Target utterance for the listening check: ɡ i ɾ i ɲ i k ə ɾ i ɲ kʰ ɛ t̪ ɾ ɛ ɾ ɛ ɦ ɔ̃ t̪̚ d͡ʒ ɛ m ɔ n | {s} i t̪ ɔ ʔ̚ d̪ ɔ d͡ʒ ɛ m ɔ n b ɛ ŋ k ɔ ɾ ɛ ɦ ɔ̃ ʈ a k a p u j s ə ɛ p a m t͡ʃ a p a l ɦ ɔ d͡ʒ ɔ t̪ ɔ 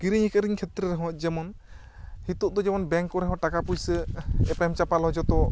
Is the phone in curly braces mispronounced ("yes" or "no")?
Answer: yes